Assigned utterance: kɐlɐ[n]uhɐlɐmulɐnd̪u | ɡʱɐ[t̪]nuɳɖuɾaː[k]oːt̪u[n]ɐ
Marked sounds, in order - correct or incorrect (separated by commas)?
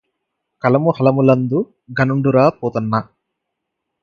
incorrect, incorrect, incorrect, incorrect